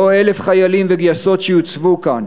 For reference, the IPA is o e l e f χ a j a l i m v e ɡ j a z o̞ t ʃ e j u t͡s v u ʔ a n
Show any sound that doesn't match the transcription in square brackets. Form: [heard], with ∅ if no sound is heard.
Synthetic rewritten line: o e l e f χ a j a l i m v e ɡ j a [s] o̞ t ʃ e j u t͡s v u [k] a n